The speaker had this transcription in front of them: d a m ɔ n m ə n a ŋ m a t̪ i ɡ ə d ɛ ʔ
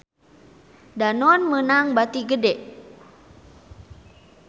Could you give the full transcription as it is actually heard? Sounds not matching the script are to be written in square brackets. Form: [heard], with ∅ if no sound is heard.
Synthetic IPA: d a [n] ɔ n m ə n a ŋ [b] a t̪ i ɡ ə d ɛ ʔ

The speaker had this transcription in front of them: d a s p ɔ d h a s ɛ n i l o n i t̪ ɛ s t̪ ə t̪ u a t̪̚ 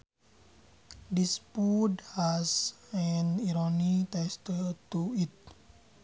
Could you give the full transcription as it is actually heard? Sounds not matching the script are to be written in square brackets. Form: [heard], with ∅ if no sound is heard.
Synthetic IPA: d [i] s p [u] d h a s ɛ n i [ɾ] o n i t̪ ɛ s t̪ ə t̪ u [i] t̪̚

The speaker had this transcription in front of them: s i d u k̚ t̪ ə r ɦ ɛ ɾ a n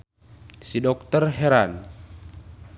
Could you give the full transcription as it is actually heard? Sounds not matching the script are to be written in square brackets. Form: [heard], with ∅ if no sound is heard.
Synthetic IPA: s i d [ɔ] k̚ t̪ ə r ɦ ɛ ɾ a n

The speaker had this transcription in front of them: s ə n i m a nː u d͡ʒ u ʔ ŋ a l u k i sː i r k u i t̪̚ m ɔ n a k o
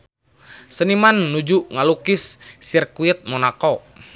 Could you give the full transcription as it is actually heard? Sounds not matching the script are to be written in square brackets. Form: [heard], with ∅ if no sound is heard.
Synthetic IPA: s ə n i m a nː u d͡ʒ u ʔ ŋ a l u k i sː i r k u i t̪̚ m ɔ n a k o

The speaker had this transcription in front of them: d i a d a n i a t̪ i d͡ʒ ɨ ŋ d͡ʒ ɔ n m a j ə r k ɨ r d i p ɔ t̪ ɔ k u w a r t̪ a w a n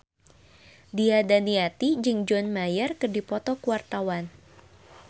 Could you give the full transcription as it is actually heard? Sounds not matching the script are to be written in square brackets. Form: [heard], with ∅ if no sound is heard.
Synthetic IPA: d i a d a n i a t̪ i d͡ʒ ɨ ŋ d͡ʒ ɔ n m a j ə r k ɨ r d i p ɔ t̪ ɔ k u w a r t̪ a w a n

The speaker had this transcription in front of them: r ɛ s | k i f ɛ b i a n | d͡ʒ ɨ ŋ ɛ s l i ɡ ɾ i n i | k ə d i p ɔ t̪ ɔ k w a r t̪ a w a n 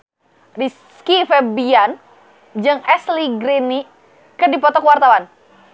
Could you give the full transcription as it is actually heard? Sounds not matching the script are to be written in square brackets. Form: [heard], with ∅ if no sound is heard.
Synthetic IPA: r [i] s | k i f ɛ b i a n | d͡ʒ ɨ ŋ ɛ s l i ɡ ɾ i n i | k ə d i p ɔ t̪ ɔ k w a r t̪ a w a n

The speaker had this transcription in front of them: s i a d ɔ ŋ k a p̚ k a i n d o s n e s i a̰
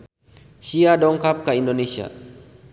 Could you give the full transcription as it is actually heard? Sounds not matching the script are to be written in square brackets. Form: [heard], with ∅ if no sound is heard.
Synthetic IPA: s i a d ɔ ŋ k a p̚ k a i n d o [∅] n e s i a̰

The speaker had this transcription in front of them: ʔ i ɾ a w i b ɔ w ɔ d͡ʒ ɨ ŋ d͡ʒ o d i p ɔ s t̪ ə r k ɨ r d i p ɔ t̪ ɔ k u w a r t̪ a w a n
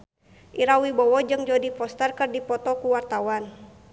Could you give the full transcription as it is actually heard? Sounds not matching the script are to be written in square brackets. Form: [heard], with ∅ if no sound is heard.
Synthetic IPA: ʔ i ɾ a w i b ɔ w ɔ d͡ʒ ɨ ŋ d͡ʒ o d i p ɔ s t̪ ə r k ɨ r d i p ɔ t̪ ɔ k u w a r t̪ a w a n

